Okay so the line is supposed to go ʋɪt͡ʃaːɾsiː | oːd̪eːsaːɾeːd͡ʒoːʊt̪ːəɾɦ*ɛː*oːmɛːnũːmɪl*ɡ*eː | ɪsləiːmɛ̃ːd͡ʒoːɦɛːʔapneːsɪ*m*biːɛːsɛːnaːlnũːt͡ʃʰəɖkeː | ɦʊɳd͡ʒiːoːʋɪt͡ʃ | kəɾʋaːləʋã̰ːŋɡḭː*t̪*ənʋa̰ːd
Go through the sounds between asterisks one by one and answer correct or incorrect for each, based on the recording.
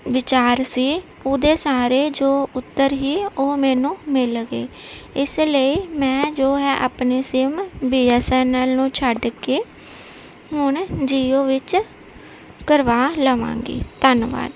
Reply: incorrect, correct, correct, correct

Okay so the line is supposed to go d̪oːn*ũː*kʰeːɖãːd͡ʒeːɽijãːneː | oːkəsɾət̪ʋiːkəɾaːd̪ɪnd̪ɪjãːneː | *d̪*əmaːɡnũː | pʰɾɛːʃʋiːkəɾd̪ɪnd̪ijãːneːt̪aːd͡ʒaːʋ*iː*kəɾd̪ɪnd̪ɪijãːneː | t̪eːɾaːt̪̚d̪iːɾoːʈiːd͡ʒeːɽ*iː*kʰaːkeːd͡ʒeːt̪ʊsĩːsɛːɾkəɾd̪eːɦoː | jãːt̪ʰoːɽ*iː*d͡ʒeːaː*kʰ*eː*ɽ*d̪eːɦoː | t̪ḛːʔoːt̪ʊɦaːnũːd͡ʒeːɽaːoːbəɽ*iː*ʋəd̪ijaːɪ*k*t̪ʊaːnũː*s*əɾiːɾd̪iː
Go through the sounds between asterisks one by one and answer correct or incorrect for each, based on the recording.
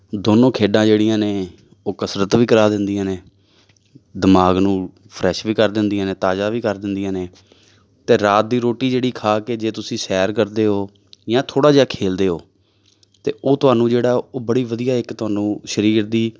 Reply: incorrect, correct, correct, correct, incorrect, correct, incorrect, correct, correct, incorrect

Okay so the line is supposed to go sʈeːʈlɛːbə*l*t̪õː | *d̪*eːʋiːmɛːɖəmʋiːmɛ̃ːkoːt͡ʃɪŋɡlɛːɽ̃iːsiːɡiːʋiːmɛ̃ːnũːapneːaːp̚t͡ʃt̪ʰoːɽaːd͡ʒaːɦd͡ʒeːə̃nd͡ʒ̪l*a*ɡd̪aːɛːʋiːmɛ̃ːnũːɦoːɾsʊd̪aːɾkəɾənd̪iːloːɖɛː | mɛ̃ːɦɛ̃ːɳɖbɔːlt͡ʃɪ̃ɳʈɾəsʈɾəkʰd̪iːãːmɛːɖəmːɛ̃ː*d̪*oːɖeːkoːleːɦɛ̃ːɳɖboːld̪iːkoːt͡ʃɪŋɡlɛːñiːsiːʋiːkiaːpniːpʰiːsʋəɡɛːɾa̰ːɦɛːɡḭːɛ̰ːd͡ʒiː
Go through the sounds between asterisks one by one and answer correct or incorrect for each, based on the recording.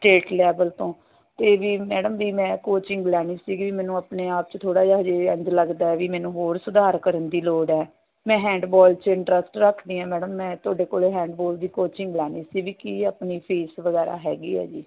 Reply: correct, incorrect, incorrect, incorrect

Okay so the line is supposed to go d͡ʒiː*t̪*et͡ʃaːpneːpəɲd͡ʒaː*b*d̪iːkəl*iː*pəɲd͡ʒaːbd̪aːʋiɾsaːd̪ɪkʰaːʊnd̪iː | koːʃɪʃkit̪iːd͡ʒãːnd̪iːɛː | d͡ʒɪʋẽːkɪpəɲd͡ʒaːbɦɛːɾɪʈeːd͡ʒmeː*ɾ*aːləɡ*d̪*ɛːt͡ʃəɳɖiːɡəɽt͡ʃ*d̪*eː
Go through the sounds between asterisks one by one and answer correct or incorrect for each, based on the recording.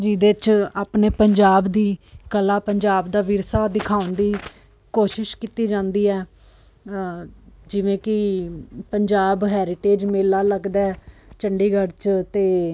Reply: incorrect, correct, incorrect, incorrect, correct, incorrect

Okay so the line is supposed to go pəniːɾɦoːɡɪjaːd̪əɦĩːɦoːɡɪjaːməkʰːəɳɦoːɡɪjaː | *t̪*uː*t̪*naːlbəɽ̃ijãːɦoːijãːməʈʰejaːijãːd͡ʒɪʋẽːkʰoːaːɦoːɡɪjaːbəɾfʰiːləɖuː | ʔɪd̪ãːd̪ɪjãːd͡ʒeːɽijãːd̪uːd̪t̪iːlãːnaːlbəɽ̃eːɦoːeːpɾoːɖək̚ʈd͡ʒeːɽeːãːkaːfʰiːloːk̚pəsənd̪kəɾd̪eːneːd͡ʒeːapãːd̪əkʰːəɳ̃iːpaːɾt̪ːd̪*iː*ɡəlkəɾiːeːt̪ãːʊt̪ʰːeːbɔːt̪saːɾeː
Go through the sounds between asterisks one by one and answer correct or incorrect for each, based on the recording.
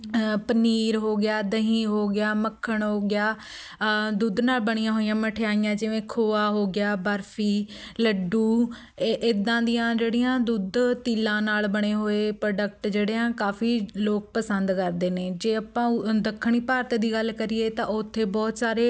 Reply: incorrect, incorrect, correct

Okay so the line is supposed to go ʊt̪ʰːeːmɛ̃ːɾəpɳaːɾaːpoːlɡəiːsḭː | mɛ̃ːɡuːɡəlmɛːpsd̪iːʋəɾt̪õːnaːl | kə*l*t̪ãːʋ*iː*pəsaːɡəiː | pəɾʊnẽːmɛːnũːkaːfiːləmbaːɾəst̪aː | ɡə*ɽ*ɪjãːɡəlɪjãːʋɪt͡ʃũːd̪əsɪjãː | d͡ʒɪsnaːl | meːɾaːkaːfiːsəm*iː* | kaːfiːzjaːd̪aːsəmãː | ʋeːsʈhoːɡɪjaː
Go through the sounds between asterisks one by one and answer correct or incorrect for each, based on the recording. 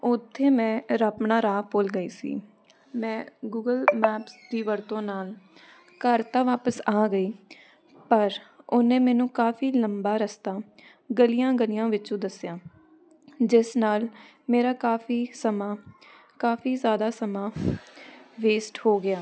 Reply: incorrect, incorrect, incorrect, incorrect

